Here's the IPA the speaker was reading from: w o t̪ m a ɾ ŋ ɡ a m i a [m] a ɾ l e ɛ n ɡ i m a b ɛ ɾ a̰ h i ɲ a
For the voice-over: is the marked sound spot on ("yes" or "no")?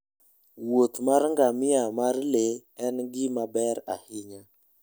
yes